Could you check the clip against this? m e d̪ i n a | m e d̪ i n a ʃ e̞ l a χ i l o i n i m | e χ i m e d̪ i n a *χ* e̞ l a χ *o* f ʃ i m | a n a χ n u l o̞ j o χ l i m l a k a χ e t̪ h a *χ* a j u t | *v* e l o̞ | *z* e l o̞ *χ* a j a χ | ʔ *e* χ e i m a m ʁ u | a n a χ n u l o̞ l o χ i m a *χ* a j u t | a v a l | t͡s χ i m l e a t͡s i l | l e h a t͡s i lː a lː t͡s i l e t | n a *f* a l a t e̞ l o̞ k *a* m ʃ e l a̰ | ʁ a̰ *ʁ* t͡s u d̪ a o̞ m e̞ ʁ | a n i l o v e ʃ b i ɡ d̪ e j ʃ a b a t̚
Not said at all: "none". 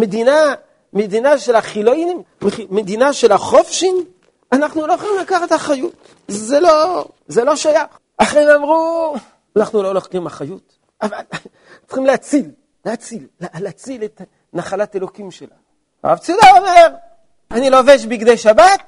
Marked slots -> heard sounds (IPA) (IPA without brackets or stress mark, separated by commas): ʃ, o, χ, z, z, ʃ, a, χ, χ, i, v